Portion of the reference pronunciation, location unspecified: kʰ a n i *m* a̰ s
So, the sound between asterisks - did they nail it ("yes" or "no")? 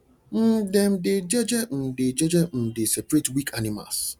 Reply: yes